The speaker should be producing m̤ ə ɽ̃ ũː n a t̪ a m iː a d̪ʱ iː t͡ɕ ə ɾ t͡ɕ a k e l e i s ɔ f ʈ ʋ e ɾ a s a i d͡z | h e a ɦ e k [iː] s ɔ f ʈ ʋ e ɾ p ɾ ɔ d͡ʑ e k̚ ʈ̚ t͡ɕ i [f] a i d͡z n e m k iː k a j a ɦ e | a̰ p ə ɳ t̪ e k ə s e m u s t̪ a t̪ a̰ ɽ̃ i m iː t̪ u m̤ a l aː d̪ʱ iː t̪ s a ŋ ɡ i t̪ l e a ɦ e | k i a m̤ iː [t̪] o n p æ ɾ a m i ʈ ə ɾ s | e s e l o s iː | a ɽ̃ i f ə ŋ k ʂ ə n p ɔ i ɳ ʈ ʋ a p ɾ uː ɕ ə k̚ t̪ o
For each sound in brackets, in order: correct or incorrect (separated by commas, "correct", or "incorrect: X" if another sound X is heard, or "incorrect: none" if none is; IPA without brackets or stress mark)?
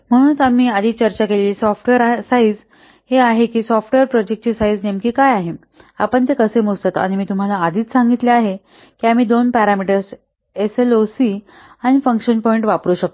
correct, incorrect: s, incorrect: d̪